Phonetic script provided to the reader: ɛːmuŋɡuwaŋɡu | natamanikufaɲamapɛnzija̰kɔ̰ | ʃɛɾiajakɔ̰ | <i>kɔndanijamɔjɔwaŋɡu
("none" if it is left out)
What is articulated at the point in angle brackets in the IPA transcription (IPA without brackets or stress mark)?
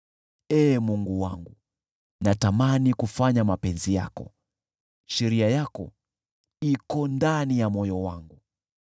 i